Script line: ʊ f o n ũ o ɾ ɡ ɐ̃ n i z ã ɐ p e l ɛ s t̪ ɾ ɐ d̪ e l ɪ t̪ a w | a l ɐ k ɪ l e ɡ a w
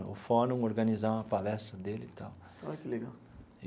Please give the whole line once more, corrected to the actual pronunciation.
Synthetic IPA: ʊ f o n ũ o ɾ ɡ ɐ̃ n i z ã ɐ p a l ɛ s t̪ ɾ ɐ d̪ e l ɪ t̪ a w | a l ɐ k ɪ l e ɡ a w